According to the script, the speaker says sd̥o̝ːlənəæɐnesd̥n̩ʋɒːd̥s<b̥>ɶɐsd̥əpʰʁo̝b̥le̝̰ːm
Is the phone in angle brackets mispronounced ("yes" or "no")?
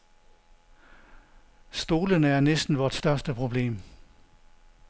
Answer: yes